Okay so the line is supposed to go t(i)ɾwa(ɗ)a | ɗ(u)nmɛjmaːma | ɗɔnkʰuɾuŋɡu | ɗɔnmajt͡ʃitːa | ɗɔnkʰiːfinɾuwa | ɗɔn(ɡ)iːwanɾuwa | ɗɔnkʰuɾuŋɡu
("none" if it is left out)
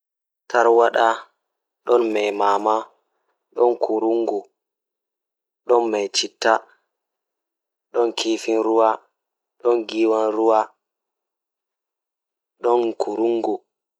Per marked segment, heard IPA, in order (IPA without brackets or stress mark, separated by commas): a, ɗ, ɔ, ɡ